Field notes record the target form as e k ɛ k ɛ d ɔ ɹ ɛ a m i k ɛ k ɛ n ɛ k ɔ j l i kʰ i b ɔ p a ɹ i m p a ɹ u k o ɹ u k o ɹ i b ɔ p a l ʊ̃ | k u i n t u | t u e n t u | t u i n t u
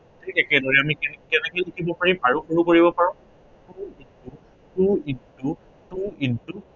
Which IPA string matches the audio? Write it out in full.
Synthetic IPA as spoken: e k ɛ k ɛ d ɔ ɹ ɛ a m i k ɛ k ɛ n ɛ k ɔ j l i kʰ i b ɔ p a ɹ i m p a ɹ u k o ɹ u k o ɹ i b ɔ p a ɹ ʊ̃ | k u i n t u | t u i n t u | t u i n t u